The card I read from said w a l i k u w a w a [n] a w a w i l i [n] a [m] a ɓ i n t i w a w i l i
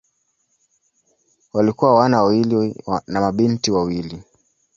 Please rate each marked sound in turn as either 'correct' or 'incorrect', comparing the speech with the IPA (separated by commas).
correct, correct, correct